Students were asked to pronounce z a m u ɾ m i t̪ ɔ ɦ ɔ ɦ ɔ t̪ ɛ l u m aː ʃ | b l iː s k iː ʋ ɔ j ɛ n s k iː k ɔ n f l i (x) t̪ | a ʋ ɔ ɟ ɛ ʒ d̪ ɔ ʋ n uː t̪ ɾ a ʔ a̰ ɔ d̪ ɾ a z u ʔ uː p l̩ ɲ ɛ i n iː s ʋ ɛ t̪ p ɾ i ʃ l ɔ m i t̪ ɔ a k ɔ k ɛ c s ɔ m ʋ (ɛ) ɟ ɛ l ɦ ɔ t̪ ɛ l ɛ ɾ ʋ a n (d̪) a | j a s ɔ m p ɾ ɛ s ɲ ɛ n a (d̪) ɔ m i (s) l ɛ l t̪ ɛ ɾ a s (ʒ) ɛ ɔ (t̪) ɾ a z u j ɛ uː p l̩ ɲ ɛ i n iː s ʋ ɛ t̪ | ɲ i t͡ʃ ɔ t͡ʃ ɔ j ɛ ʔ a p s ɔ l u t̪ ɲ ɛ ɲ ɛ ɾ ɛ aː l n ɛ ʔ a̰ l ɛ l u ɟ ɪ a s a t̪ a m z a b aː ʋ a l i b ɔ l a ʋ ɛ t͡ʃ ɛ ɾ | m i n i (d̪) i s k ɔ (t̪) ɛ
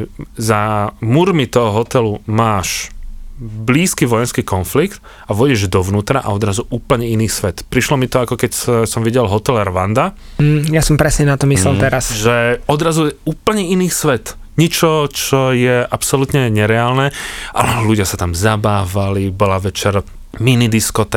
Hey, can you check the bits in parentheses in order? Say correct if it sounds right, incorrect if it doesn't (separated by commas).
incorrect, incorrect, correct, incorrect, correct, correct, incorrect, correct, correct